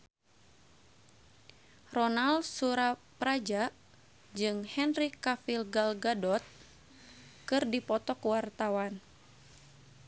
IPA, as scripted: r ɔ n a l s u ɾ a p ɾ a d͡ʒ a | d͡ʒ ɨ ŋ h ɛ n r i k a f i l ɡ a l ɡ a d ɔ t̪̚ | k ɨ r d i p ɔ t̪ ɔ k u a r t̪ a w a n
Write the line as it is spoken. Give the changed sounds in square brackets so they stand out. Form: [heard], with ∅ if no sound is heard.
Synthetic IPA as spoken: r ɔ n a l s u ɾ a p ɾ a d͡ʒ a | d͡ʒ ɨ ŋ h ɛ n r i k a f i l ɡ a l ɡ a d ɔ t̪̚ | k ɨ r d i p ɔ t̪ ɔ k [w] a r t̪ a w a n

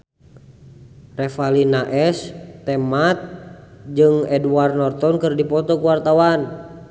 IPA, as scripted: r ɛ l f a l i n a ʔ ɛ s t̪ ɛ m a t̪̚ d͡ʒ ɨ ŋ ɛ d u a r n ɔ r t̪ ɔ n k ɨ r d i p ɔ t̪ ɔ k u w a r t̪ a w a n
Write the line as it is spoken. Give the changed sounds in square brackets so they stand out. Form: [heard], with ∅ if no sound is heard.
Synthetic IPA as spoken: r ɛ [∅] f a l i n a ʔ ɛ s t̪ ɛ m a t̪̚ d͡ʒ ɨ ŋ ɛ d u a r n ɔ r t̪ ɔ n k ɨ r d i p ɔ t̪ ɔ k u w a r t̪ a w a n

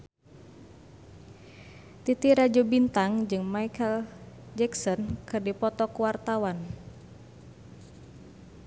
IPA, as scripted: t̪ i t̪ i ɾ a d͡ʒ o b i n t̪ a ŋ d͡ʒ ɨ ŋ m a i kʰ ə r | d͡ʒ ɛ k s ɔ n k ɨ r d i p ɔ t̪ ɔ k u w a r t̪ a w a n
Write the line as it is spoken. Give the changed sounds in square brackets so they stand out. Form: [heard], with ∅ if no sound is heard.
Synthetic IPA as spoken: t̪ i t̪ i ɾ a d͡ʒ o b i n t̪ a ŋ d͡ʒ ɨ ŋ m a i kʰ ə [l] | d͡ʒ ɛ k s ɔ n k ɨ r d i p ɔ t̪ ɔ k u w a r t̪ a w a n

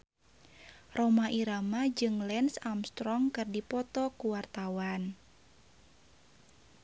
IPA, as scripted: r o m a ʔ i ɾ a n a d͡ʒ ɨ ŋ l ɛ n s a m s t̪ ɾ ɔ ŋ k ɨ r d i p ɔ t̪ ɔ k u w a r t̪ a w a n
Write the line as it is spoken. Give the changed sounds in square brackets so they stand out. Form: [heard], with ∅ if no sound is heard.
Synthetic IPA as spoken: r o m a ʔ i ɾ a [m] a d͡ʒ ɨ ŋ l ɛ n s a m s t̪ ɾ ɔ ŋ k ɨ r d i p ɔ t̪ ɔ k u w a r t̪ a w a n

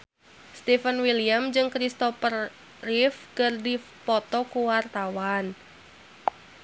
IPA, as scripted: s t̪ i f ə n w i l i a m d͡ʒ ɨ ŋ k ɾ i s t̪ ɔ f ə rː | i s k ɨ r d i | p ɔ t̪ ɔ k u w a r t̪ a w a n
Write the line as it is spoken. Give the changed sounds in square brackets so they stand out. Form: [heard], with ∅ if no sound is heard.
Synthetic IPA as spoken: s t̪ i f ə n w i l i a m d͡ʒ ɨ ŋ k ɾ i s t̪ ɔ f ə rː | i [f] k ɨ r d i | p ɔ t̪ ɔ k u w a r t̪ a w a n

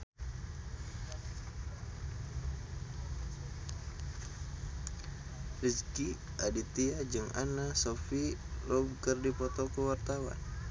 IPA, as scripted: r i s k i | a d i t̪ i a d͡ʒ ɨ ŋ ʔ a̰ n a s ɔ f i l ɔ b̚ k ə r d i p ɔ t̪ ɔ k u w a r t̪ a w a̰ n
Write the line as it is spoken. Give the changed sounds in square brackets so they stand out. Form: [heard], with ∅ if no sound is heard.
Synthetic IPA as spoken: r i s k i | a d i t̪ i a d͡ʒ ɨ ŋ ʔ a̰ n a s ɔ f i l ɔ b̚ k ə r d i p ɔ t̪ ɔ k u w a r t̪ a w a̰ n

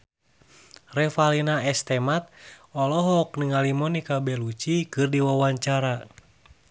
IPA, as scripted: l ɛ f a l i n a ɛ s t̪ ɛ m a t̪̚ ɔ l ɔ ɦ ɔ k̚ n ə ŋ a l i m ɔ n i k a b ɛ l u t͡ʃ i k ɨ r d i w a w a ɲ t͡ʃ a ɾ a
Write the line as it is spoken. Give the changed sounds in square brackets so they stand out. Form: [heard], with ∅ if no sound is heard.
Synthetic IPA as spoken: [r] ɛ f a l i n a ɛ s t̪ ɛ m a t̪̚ ɔ l ɔ ɦ ɔ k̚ n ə ŋ a l i m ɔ n i k a b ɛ l u t͡ʃ i k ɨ r d i w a w a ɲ t͡ʃ a ɾ a

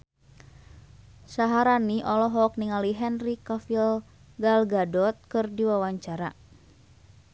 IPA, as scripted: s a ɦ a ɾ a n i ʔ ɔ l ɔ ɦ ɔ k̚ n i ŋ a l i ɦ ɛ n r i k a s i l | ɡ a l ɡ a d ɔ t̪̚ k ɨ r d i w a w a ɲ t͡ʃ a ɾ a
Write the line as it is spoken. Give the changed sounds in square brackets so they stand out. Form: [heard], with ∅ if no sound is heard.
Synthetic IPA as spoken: s a ɦ a ɾ a n i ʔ ɔ l ɔ ɦ ɔ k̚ n i ŋ a l i ɦ ɛ n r i k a [f] i l | ɡ a l ɡ a d ɔ t̪̚ k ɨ r d i w a w a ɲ t͡ʃ a ɾ a

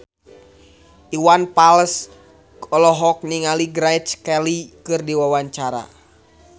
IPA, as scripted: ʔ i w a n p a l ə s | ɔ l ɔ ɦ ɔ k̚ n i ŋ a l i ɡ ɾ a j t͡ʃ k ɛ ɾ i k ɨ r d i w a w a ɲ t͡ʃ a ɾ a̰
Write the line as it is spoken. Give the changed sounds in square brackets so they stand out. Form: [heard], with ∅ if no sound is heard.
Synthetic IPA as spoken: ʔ i w a n p a l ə s | ɔ l ɔ ɦ ɔ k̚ n i ŋ a l i ɡ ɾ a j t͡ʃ k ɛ [l] i k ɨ r d i w a w a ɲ t͡ʃ a ɾ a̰

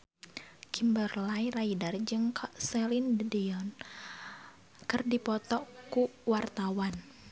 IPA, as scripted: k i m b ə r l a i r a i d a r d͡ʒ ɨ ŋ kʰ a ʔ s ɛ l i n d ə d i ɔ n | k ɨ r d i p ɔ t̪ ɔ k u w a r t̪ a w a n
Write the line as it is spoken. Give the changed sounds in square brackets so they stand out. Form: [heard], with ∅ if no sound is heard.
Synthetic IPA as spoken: k i m b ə r l a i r a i d a r d͡ʒ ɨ ŋ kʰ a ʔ s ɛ l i n d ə d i ɔ n | k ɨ r d i p ɔ t̪ ɔ k u w a r t̪ a w a n

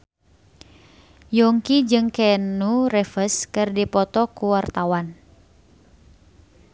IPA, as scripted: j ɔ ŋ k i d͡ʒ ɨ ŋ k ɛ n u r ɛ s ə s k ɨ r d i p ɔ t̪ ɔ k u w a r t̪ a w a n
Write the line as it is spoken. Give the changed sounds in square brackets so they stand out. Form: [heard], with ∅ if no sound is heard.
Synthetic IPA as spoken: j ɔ ŋ k i d͡ʒ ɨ ŋ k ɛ n u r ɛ [f] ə s k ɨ r d i p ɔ t̪ ɔ k u w a r t̪ a w a n

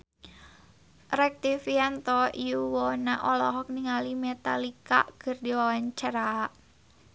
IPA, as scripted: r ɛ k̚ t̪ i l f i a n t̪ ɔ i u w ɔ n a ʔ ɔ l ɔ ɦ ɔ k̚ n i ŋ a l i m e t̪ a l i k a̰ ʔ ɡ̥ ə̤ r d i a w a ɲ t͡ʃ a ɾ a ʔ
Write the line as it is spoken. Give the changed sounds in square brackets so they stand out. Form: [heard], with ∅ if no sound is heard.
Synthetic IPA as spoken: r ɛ k̚ t̪ i [∅] f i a n t̪ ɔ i u w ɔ n a ʔ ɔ l ɔ ɦ ɔ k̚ n i ŋ a l i m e t̪ a l i k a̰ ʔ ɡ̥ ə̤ r d i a w a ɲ t͡ʃ a ɾ a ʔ

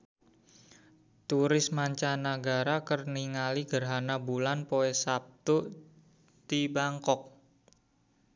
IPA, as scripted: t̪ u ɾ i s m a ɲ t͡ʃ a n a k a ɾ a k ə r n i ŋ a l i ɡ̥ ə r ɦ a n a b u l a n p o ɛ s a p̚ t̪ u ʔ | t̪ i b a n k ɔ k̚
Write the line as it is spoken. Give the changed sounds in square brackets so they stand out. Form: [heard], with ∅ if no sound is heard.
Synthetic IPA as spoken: t̪ u ɾ [ɪ] s m a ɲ t͡ʃ a n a [ɡ] a ɾ a k ə r n i ŋ a l i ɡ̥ ə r ɦ a n a b u l a n p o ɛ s a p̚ t̪ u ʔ | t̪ i b a [ŋ] k ɔ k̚

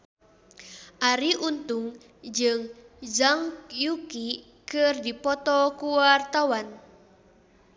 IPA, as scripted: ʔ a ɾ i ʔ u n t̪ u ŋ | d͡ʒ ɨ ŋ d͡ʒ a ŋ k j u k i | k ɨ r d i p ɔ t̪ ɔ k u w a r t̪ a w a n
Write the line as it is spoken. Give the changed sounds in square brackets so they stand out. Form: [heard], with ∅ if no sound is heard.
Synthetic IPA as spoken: ʔ a ɾ i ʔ u n t̪ u ŋ | d͡ʒ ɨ ŋ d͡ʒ a ŋ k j u k i | k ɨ r d i p ɔ t̪ ɔ k u w a r t̪ a w a n

